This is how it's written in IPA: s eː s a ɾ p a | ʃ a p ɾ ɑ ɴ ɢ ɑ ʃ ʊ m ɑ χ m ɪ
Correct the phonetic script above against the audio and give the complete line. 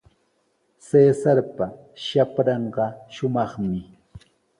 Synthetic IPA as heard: s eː s a ɾ p a | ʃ a p ɾ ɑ ɴ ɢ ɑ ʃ ʊ m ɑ χ m ɪ